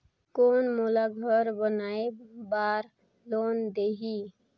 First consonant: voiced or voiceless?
voiceless